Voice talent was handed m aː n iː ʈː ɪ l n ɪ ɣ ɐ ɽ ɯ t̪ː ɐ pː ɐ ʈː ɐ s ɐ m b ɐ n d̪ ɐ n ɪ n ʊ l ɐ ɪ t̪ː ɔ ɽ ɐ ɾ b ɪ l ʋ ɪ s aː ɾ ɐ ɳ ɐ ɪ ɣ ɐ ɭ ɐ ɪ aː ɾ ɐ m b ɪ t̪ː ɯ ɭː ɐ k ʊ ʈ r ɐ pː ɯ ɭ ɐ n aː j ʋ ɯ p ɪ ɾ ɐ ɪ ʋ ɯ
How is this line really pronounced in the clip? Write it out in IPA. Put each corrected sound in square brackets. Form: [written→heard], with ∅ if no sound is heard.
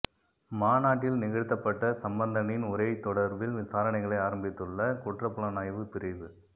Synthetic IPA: m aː n [iː→aː] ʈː ɪ l n ɪ ɣ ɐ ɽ ɯ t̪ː ɐ pː ɐ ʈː ɐ s ɐ m b ɐ n d̪ ɐ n ɪ n ʊ [l→ɾ] ɐ ɪ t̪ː ɔ ɽ ɐ ɾ b ɪ l ʋ ɪ s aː ɾ ɐ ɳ ɐ ɪ ɣ ɐ ɭ ɐ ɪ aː ɾ ɐ m b ɪ t̪ː ɯ ɭː ɐ k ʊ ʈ r ɐ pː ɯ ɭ ɐ n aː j ʋ ɯ p ɪ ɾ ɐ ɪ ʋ ɯ